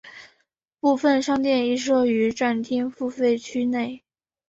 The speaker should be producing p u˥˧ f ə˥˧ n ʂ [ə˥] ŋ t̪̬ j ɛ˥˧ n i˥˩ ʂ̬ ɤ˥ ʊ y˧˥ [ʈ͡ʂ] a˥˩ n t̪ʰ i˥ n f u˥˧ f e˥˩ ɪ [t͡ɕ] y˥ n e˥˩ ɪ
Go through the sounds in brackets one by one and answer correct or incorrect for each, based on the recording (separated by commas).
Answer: incorrect, correct, incorrect